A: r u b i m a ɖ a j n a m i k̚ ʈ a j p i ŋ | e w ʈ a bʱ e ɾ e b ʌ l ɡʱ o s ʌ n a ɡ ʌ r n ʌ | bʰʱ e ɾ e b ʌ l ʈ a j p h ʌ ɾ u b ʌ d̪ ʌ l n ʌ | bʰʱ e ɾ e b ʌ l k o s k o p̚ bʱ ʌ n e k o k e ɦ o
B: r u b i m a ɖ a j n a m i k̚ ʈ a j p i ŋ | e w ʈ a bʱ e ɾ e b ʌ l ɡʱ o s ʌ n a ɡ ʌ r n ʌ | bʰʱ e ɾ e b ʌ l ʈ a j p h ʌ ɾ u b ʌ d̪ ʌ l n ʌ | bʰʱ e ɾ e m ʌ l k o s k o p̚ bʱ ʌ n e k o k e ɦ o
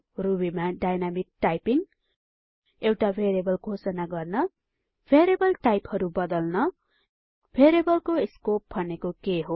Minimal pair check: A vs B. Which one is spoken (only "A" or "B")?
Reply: A